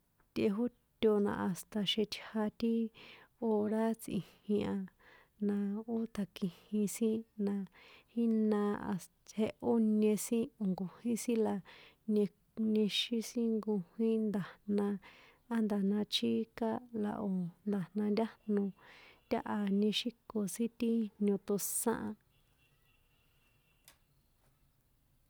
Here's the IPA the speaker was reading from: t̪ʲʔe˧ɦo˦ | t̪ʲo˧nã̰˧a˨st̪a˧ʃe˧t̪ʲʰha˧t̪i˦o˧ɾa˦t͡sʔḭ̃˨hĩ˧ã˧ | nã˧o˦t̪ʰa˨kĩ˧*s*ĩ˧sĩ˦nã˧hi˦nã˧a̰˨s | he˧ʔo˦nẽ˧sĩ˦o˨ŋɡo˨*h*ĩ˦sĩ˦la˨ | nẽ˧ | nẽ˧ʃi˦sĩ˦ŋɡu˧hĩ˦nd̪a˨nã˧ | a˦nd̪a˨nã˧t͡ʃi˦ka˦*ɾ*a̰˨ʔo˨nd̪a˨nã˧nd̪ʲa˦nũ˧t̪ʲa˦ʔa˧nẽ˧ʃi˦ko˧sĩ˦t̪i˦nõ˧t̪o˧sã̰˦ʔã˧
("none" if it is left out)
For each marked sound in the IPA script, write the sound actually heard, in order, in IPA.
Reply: h, h, l

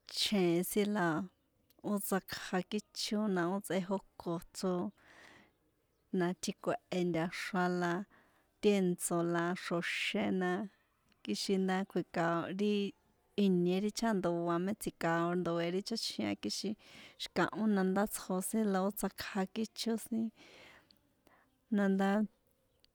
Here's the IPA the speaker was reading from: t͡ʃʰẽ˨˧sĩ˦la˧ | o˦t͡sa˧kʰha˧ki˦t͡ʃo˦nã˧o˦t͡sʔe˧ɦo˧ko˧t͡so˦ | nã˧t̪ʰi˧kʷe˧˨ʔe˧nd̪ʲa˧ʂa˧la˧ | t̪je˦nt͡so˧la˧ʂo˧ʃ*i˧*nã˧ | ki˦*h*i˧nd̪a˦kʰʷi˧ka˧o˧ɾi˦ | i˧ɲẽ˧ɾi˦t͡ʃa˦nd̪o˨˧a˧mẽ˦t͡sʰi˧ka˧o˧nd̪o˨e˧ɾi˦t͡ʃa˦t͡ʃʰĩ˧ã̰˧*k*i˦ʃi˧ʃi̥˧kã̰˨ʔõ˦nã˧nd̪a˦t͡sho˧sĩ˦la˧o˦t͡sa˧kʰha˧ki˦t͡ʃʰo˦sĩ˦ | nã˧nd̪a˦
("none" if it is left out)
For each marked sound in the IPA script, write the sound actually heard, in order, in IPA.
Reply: e˧, ʃ, k

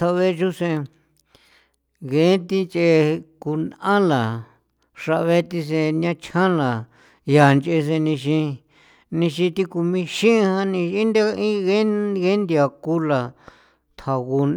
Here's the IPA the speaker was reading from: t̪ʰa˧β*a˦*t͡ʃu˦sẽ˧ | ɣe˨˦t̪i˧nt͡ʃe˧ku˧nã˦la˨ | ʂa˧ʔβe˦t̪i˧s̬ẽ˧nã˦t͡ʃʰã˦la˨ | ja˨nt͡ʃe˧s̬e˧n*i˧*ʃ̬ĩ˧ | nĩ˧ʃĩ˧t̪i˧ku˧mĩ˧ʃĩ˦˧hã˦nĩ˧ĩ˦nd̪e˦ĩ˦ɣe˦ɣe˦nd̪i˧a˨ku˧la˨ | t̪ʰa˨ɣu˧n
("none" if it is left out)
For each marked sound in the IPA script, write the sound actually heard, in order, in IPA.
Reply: e˦, ĩ˧

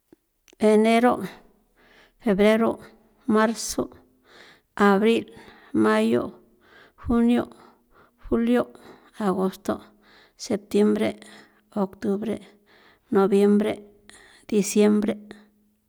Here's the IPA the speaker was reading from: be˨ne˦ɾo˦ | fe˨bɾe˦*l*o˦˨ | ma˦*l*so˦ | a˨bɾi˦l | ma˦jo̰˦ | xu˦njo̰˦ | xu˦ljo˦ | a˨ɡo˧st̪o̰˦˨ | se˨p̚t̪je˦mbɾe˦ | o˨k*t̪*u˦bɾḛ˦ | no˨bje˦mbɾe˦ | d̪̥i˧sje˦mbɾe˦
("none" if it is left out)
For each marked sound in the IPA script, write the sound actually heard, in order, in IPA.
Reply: ɾ, ɾ, t̪

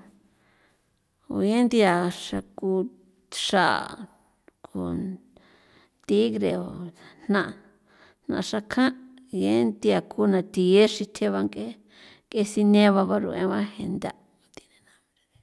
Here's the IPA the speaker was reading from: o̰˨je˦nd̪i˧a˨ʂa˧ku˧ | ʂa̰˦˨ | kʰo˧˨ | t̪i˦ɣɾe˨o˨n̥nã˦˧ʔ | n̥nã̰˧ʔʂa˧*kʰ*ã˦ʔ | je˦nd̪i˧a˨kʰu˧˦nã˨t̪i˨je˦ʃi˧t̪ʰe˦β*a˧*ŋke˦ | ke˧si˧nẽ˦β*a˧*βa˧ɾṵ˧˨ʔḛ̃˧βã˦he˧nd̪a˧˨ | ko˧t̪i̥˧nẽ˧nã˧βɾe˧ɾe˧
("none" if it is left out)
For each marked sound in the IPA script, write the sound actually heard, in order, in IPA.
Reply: kʰ, a˧, a˧

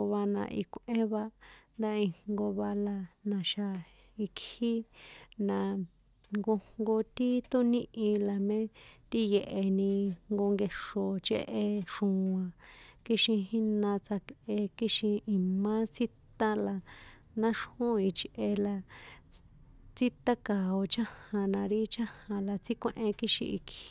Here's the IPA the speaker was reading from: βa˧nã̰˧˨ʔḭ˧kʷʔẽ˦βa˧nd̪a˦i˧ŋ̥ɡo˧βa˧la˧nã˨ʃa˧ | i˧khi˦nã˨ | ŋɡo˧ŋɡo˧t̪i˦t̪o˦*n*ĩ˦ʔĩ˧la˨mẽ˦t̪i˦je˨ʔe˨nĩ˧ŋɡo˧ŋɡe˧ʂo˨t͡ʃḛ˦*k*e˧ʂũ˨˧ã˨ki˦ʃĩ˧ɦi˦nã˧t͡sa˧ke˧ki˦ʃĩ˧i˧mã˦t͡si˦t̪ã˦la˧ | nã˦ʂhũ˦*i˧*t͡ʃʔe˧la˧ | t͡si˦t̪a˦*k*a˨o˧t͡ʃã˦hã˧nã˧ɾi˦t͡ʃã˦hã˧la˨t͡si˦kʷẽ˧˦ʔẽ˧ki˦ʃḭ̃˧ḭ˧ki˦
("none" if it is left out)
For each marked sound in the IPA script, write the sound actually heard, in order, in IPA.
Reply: n, ʔ, i˧, k

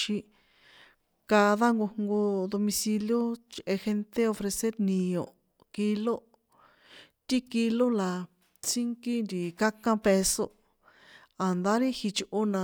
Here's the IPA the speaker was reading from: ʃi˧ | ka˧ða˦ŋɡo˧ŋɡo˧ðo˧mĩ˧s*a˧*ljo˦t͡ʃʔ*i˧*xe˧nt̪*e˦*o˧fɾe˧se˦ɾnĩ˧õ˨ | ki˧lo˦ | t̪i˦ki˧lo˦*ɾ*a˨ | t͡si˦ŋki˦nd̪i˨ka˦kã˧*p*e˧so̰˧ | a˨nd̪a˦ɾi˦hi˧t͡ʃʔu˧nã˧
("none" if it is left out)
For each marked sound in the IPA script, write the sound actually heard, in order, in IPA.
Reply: i˧, e˧, e˦, l, p

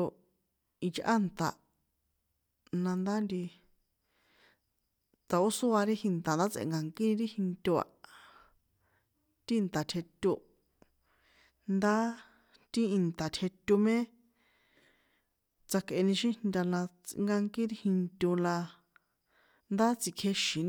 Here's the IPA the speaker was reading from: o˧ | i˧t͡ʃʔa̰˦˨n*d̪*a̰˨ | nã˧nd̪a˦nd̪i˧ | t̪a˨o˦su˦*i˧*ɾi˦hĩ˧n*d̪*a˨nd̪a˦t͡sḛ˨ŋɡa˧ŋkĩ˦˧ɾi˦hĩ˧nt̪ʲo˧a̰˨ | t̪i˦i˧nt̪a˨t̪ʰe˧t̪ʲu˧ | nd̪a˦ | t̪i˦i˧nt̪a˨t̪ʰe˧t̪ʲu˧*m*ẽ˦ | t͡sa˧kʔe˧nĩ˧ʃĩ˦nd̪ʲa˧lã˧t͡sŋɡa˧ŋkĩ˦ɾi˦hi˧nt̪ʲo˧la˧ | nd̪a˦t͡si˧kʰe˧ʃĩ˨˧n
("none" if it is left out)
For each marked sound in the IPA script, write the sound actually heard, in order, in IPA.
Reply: t̪, a˧, t̪, m

